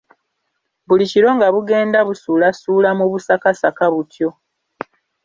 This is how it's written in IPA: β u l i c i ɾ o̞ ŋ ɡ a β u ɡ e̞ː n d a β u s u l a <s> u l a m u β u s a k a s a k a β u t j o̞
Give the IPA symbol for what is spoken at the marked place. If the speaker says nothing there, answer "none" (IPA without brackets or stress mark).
s